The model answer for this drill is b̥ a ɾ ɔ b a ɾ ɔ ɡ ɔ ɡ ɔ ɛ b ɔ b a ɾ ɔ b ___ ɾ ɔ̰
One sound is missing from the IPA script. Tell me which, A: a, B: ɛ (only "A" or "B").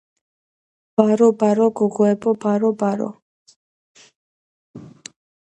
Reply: A